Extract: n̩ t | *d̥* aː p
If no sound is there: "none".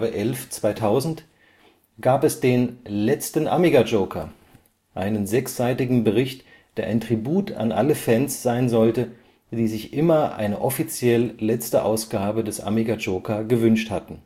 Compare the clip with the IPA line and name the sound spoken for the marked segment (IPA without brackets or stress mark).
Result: ɡ̥